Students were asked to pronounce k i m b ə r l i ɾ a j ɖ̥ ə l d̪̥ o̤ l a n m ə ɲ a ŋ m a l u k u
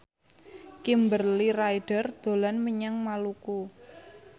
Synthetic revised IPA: k i m b ə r l i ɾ a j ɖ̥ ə r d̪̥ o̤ l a n m ə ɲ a ŋ m a l u k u

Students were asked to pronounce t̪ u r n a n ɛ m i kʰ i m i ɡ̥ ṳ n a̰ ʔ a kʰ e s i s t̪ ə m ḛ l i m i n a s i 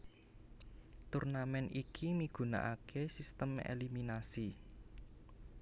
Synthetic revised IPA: t̪ u r n a m ɛ n i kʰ i m i ɡ̥ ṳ n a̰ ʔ a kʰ e s i s t̪ ə m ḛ l i m i n a s i

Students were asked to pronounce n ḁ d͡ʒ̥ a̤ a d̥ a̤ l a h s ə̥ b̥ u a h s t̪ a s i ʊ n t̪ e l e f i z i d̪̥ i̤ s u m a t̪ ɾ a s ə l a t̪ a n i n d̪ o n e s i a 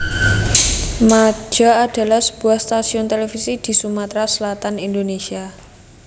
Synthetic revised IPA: m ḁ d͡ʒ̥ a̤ a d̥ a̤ l a h s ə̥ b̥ u a h s t̪ a s i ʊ n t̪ e l e f i s i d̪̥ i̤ s u m a t̪ ɾ a s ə l a t̪ a n i n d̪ o n e s i a

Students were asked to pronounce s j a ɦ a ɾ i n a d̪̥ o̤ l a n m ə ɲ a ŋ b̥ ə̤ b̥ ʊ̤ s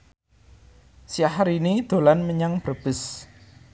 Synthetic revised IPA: s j a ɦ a ɾ i n i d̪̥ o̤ l a n m ə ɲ a ŋ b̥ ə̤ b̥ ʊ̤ s

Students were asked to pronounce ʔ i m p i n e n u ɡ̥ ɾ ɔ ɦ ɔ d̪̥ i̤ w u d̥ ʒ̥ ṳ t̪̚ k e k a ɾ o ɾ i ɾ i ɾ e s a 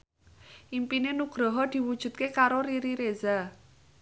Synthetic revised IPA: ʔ i m p i n e n u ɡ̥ ɾ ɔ ɦ ɔ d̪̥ i̤ w u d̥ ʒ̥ ṳ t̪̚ k e k a ɾ o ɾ i ɾ i ɾ e z a

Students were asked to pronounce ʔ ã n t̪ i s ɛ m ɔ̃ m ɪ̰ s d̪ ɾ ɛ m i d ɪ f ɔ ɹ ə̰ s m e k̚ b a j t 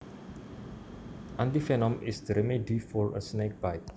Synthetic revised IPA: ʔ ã n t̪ i f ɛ n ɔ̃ m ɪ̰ s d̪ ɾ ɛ m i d i f ɔ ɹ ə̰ s n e k̚ b a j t

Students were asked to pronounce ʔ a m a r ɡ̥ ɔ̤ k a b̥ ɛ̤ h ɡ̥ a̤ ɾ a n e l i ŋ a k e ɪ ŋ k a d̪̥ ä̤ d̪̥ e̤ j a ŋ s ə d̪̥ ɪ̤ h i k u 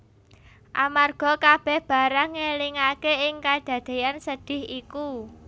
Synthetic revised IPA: ʔ a m a r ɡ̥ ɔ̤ k a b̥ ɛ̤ h b̥ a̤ ɾ a ŋ e l i ŋ a k e ɪ ŋ k a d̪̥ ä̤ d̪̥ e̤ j a n s ə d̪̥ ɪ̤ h i k u

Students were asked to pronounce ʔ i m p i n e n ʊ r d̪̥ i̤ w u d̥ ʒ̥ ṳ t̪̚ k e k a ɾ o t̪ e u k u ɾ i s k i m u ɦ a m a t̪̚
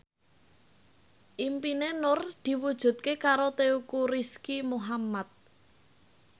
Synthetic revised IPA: ʔ i m p i n e n ʊ r d̪̥ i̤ w u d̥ ʒ̥ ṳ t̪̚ k e k a ɾ o t̪ e u k u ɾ i s k i m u ɦ a m a t̪̚

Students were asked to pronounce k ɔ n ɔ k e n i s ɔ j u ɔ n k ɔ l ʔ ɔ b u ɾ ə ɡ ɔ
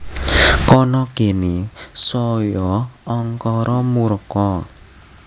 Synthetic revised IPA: k ɔ n ɔ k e n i s ɔ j ɔ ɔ ŋ k ɔ ɾ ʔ ɔ m u ɾ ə k ɔ

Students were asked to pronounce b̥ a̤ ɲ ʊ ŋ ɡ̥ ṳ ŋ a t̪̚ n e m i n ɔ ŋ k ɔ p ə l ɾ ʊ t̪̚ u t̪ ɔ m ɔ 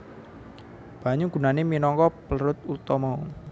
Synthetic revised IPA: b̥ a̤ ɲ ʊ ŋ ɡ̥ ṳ n a n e m i n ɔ ŋ k ɔ p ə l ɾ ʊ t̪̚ u t̪ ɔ m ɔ

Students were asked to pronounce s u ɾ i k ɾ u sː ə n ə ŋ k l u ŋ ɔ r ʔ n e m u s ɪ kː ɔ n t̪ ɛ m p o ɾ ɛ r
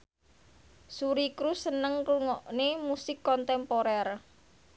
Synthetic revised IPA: s u ɾ i k ɾ u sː ə n ə ŋ k l u ŋ ɔ ʔ n e m u s ɪ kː ɔ n t̪ ɛ m p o ɾ ɛ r

